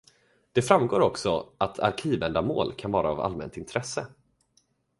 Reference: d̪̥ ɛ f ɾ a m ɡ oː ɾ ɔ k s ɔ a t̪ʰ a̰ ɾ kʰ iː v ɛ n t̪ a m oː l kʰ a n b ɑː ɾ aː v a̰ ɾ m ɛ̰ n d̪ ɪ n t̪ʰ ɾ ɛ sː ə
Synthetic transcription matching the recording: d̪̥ ɛ f ɾ a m ɡ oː ɾ ɔ k s ɔ a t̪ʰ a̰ ɾ kʰ iː v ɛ n d̪ a m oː l kʰ a n v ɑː ɾ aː v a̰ l m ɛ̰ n t̪ ɪ n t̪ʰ ɾ ɛ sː ə